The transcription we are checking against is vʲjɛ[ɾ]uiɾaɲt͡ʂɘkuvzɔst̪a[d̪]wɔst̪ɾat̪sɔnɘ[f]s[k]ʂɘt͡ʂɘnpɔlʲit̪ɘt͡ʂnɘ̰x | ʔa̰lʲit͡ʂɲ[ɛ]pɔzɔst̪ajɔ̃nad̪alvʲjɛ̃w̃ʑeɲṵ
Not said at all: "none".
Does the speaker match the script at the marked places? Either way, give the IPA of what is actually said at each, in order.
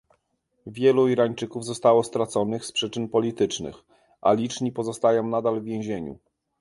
l, none, x, p, i

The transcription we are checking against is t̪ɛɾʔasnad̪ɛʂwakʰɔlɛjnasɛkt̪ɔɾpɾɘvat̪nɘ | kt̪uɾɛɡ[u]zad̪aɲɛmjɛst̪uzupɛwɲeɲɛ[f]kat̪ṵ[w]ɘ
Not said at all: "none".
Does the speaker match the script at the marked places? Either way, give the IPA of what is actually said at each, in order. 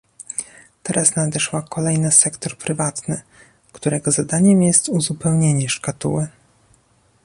ɔ, ʂ, w

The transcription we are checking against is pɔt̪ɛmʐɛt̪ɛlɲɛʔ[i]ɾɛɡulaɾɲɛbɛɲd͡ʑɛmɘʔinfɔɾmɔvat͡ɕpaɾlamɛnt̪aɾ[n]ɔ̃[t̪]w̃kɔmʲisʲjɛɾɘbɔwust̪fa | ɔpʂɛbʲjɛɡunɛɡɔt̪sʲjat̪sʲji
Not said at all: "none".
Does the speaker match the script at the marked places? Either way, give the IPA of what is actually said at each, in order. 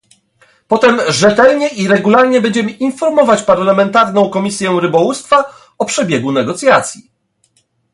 i, n, none

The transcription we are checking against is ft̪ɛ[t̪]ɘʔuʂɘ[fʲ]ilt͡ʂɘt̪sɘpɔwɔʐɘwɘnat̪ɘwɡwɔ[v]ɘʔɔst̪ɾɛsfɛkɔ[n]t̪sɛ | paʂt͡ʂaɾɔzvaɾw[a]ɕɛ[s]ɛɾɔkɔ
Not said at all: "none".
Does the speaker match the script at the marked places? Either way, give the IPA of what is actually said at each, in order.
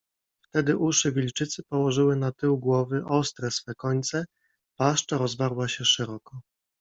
d̪, vʲ, v, ɲ, a, ʂ

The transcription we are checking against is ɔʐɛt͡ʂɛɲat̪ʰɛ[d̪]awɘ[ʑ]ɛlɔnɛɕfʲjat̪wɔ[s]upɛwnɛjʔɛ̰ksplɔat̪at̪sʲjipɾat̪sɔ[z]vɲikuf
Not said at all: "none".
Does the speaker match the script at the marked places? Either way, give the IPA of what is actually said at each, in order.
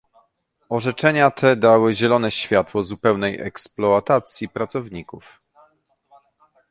d̪, ʑ, z, none

